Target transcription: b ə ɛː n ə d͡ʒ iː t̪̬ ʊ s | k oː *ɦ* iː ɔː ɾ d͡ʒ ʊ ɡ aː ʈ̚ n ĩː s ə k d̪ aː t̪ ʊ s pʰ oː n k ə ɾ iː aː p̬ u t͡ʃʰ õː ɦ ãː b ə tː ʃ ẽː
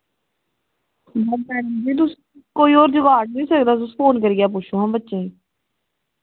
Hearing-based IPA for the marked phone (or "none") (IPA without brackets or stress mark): none